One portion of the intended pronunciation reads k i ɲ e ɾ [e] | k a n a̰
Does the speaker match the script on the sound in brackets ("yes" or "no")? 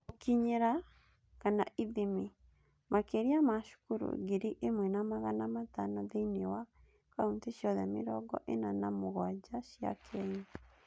no